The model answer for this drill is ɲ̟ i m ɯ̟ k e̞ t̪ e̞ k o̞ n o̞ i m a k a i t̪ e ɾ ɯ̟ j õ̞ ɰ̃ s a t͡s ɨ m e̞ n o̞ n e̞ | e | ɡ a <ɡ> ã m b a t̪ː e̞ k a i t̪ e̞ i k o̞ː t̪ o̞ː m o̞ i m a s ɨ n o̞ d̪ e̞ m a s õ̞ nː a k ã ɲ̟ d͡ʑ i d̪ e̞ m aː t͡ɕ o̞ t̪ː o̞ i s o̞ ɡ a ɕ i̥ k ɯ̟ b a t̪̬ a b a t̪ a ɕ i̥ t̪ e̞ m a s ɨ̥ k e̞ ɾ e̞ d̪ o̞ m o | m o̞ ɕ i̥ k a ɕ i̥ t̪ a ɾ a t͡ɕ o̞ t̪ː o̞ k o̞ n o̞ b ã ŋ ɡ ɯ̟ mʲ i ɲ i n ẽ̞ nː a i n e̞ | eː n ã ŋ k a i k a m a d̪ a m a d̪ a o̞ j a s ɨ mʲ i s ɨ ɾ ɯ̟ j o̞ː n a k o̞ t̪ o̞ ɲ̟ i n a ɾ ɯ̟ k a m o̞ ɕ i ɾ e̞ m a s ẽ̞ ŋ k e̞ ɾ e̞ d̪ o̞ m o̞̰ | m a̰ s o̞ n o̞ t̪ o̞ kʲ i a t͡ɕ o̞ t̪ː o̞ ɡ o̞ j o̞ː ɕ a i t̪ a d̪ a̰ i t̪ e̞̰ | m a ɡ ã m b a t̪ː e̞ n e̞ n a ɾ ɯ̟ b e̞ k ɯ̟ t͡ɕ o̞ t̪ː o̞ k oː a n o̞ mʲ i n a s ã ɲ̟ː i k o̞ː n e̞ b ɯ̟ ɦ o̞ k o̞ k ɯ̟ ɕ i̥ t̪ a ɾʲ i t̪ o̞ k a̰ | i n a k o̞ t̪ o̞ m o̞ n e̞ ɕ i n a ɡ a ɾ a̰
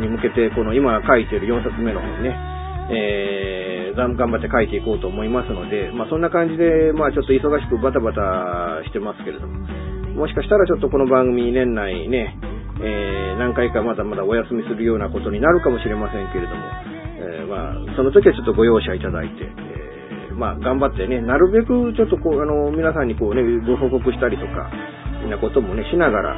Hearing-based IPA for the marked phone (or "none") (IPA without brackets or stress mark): ɡ